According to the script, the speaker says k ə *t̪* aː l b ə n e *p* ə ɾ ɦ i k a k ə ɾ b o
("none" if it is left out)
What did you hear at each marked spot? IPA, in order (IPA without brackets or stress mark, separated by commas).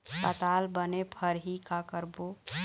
t̪, pʰ